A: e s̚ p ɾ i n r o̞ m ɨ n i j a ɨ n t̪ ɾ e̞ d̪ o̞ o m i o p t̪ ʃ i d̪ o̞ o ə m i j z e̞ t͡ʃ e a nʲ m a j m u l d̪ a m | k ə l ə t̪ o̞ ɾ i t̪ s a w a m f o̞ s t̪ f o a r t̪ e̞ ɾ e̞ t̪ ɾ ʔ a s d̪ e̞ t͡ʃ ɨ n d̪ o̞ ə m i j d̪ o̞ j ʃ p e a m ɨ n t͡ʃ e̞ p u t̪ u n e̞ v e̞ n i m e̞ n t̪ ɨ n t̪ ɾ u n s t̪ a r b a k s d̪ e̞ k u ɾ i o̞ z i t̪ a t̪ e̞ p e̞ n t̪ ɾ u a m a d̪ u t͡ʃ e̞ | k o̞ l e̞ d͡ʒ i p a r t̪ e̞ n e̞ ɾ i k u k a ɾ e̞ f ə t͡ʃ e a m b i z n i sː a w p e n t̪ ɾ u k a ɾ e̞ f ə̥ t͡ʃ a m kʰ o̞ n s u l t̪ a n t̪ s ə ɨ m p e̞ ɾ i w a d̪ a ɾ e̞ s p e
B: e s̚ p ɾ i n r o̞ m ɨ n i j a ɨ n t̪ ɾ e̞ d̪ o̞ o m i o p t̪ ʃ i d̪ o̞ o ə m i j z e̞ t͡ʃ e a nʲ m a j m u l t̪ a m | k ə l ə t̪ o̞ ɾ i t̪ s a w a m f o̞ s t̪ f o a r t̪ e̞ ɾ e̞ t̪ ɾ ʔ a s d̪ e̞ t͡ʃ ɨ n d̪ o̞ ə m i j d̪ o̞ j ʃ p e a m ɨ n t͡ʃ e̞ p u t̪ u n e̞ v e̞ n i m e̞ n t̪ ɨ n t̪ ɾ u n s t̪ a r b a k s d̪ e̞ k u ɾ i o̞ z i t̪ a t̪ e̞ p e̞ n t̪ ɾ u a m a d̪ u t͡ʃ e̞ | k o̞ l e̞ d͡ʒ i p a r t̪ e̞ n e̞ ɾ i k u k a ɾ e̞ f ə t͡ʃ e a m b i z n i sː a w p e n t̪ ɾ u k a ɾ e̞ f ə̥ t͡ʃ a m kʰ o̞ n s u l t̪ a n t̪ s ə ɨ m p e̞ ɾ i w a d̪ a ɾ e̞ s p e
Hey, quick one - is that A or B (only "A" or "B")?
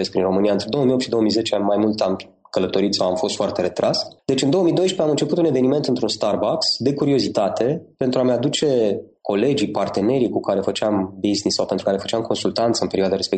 B